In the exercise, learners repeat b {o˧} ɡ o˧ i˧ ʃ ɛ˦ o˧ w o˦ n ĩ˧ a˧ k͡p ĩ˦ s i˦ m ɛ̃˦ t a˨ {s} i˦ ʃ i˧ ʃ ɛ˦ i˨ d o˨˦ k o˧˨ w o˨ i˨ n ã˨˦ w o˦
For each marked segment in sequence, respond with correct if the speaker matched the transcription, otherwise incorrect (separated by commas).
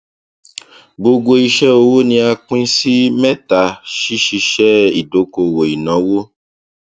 correct, incorrect